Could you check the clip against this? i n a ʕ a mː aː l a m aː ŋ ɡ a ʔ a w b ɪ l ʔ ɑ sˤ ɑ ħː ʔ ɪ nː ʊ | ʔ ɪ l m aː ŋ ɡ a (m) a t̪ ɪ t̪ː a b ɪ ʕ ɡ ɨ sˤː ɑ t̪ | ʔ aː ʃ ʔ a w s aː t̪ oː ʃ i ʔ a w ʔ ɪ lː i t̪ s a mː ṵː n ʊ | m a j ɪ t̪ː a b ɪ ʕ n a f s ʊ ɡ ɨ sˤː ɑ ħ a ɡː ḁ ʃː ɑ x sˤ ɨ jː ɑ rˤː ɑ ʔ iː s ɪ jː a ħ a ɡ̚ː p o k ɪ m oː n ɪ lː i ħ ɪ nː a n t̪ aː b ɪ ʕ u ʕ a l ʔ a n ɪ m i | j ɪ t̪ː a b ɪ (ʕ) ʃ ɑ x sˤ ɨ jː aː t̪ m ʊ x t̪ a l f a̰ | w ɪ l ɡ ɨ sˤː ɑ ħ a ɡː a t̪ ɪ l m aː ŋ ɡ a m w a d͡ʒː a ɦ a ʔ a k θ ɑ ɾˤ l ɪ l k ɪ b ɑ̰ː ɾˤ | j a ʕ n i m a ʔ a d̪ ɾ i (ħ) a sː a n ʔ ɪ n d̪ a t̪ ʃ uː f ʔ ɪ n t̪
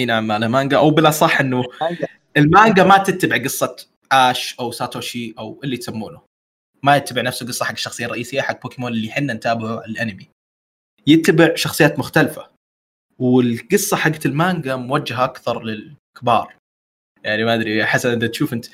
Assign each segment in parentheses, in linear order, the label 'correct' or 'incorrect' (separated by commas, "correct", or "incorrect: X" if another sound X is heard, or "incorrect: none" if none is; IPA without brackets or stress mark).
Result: correct, correct, correct